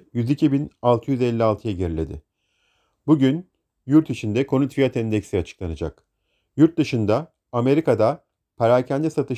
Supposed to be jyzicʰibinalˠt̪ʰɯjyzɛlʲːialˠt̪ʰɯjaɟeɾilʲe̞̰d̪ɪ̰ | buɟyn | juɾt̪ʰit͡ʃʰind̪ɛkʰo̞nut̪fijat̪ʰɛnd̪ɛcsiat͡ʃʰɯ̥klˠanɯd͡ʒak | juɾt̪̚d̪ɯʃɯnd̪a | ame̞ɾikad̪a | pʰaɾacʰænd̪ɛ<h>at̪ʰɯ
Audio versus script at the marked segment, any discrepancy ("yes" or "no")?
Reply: yes